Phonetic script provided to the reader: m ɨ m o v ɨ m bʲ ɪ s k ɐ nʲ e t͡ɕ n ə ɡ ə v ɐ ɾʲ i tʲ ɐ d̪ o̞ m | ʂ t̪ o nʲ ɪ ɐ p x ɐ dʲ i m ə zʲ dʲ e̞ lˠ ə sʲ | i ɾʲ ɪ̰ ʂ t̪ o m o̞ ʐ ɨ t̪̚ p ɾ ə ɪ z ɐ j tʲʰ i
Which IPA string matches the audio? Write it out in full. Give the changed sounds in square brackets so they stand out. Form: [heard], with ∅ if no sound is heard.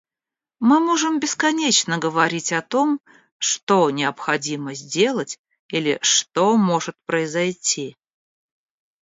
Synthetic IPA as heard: m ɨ m o [ʐ] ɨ m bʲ ɪ s k ɐ nʲ e t͡ɕ n ə ɡ ə v ɐ ɾʲ i tʲ ɐ [t̪] o̞ m | ʂ t̪ o nʲ ɪ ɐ p x ɐ dʲ i m ə zʲ dʲ e̞ lˠ ə [tʲ] | i [lʲ] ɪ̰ ʂ t̪ o m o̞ ʐ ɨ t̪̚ p ɾ ə ɪ z ɐ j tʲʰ i